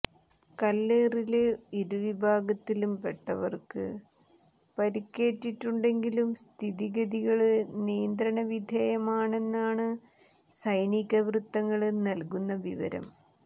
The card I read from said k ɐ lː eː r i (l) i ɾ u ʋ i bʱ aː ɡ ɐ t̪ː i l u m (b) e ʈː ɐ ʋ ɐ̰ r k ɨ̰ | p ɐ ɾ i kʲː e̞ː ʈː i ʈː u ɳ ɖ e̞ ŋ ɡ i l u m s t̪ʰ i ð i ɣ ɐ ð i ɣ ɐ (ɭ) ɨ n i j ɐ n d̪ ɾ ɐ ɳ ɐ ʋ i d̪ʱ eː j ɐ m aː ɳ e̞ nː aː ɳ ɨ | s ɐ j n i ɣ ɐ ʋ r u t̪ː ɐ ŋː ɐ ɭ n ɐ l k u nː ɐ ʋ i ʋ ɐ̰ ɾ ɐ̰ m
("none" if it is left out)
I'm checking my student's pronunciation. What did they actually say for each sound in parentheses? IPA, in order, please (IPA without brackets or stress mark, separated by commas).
l, p, ɭ